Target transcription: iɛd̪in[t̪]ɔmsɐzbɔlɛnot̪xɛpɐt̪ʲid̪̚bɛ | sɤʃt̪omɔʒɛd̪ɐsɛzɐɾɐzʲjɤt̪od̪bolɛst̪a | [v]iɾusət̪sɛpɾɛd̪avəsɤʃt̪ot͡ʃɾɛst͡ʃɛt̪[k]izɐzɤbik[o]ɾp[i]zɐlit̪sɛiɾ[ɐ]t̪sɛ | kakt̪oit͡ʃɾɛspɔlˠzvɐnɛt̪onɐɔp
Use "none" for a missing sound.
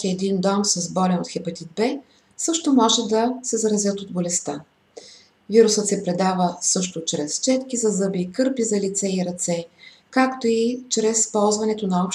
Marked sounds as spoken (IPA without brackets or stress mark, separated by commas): d̪, v, k, ɤ, i, ɐ